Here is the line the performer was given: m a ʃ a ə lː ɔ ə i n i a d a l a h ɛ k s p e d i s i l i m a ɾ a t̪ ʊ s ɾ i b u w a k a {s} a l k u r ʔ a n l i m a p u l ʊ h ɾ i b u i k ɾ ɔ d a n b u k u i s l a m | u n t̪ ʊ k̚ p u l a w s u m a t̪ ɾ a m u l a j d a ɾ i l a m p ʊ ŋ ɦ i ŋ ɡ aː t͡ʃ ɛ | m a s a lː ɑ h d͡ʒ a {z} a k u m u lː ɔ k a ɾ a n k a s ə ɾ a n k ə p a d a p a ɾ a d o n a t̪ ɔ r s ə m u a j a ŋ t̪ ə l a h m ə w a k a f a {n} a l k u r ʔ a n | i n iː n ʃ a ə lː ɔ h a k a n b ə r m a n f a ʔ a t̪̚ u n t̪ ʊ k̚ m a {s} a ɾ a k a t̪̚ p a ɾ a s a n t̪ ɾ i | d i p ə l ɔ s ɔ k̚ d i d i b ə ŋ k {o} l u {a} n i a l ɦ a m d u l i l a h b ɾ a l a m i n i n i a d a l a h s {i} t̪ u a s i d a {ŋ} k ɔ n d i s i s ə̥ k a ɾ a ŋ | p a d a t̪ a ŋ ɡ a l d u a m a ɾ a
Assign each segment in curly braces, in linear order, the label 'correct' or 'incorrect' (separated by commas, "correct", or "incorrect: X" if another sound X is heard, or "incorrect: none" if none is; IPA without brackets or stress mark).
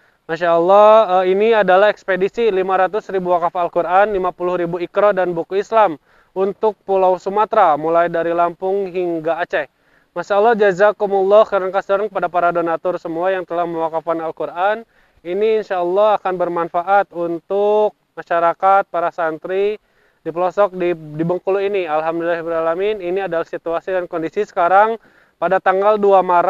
incorrect: f, correct, correct, incorrect: ʃ, incorrect: u, incorrect: i, correct, incorrect: n